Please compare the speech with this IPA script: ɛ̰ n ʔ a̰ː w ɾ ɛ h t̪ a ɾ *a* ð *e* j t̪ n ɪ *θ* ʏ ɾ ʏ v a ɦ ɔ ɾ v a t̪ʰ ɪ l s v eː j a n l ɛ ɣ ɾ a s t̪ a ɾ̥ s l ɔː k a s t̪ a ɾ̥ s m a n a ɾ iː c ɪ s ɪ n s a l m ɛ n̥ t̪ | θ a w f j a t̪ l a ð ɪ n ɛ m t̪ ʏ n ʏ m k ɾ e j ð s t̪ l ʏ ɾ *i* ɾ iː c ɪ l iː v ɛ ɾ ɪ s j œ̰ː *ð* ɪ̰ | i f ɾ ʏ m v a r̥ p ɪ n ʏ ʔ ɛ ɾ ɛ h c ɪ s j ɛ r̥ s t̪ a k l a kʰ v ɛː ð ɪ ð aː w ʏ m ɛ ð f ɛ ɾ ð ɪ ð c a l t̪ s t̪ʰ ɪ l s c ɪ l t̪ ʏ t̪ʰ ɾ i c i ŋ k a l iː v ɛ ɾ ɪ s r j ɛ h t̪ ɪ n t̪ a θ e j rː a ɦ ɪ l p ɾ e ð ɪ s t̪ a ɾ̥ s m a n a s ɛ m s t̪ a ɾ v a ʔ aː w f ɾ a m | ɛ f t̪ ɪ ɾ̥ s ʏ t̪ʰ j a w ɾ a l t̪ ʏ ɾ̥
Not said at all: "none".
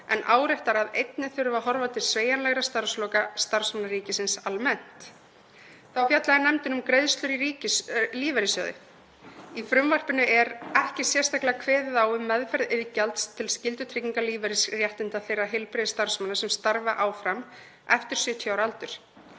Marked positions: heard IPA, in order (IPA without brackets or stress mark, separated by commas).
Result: a, e, θ, i, ð